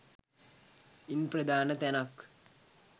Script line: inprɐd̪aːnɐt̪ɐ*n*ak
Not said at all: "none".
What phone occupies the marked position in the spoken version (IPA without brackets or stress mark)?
n